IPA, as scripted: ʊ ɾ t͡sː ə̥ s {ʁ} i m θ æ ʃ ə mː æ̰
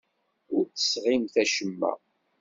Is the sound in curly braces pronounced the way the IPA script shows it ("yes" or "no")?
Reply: yes